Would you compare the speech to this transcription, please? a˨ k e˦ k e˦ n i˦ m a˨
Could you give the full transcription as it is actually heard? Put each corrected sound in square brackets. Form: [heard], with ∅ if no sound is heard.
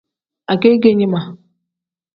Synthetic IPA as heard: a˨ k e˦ [ɡ] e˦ [ɲ] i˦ m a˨